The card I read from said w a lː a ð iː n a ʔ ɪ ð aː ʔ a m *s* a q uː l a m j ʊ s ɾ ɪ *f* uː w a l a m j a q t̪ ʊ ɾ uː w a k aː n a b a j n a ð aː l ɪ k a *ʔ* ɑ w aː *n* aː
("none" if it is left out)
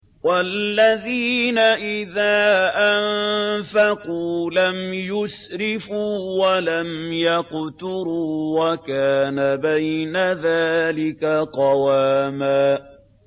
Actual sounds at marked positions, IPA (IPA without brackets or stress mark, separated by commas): f, f, q, m